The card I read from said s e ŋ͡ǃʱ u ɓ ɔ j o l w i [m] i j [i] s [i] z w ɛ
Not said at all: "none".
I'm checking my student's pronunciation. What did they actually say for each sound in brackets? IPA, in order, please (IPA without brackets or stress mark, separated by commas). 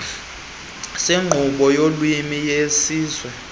m, e, iː